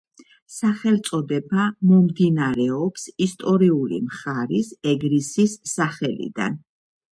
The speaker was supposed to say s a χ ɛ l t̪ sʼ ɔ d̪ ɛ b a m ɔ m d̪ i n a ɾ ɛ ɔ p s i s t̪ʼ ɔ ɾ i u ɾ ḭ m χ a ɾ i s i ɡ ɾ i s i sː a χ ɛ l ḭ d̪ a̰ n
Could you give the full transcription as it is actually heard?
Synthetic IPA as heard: s a χ ɛ l t̪ sʼ ɔ d̪ ɛ b a m ɔ m d̪ i n a ɾ ɛ ɔ p s i s t̪ʼ ɔ ɾ i u l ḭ m χ a ɾ i s ɛ ɡ ɾ i s i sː a χ ɛ l ḭ d̪ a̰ n